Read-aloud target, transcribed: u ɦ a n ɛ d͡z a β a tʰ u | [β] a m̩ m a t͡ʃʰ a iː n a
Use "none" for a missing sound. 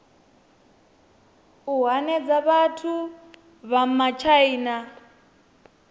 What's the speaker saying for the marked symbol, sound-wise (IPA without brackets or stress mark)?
β